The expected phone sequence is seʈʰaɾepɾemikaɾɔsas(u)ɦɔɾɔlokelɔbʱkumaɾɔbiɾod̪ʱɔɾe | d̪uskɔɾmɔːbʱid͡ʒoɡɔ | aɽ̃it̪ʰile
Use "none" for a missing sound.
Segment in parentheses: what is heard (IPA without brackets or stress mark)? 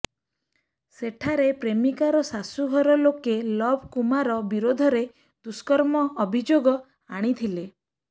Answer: u